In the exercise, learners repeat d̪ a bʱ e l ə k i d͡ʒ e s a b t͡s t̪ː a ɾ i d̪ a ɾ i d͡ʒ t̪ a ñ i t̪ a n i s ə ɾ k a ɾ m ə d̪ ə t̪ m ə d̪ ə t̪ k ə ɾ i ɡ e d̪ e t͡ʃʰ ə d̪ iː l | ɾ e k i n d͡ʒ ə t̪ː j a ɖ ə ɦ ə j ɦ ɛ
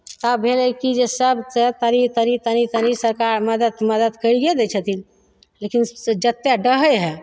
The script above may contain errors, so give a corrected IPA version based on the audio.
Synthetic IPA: t̪ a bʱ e l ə k i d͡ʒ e s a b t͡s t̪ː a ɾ i t̪ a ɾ i t̪ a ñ i t̪ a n i s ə ɾ k a ɾ m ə d̪ ə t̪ m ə d̪ ə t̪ k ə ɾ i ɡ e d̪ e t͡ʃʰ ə t̪ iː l | l e k i n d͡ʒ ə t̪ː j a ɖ ə ɦ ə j ɦ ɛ